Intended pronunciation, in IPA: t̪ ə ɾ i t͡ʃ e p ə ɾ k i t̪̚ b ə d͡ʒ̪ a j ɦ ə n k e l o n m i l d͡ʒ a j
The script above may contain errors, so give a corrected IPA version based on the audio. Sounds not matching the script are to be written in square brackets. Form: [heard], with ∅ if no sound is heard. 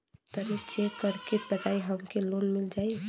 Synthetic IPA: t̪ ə ɾ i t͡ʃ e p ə ɾ k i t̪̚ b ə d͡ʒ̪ a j ɦ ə [m] k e l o n m i l d͡ʒ a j